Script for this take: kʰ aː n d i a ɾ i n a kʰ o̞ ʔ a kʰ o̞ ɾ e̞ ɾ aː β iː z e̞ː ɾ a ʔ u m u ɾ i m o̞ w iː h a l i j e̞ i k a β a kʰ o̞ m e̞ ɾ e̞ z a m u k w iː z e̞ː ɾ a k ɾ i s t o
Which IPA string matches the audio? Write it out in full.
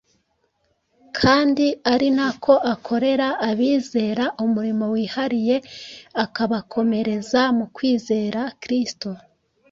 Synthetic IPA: kʰ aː n d i a ɾ i n a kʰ o̞ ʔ a kʰ o̞ ɾ e̞ ɾ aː β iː z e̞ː ɾ a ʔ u m u ɾ i m o̞ w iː h a ɾ i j e̞ a k a β a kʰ o̞ m e̞ ɾ e̞ z a m u k w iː z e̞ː ɾ a k ɾ i s t o